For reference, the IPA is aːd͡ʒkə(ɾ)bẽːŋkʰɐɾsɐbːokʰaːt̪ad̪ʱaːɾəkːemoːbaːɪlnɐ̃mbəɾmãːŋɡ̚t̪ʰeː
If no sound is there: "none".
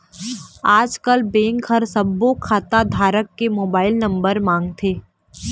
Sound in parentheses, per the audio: l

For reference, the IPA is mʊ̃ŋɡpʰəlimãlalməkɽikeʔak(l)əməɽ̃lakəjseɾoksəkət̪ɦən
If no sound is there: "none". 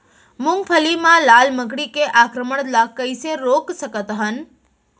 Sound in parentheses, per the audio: ɾ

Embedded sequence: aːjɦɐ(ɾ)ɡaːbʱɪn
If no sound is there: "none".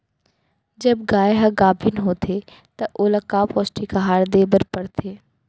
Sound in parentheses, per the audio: none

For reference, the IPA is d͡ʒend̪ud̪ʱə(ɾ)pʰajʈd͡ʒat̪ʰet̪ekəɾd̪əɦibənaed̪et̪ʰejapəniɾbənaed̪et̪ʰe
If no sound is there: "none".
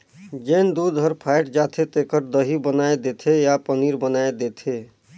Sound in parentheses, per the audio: ɾ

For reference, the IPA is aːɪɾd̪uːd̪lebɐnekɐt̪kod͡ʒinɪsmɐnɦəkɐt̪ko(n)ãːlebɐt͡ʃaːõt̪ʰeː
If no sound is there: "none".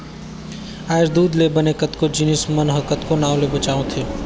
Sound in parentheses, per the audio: n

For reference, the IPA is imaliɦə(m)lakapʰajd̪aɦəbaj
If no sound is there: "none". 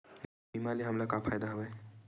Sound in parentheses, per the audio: m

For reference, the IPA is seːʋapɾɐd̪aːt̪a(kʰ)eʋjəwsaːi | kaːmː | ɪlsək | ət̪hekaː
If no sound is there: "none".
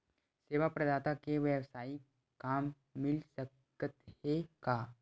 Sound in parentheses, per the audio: k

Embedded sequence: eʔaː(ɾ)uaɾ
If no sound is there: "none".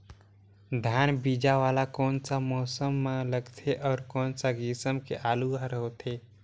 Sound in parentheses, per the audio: l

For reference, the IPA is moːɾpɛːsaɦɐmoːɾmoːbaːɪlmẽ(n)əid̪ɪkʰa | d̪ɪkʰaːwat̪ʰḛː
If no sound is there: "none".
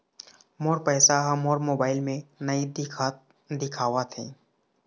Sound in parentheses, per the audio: n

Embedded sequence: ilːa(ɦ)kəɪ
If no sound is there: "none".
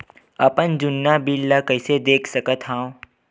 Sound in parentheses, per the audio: none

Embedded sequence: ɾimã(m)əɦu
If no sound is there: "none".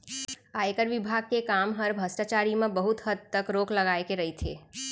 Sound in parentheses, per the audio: b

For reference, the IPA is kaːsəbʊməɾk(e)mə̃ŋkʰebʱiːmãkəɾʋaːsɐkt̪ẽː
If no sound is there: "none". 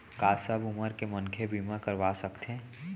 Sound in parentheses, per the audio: e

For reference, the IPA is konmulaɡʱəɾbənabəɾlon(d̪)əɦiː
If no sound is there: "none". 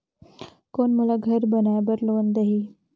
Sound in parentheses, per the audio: d̪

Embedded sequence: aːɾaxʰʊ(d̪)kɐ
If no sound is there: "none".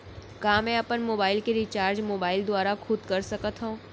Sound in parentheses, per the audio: d̪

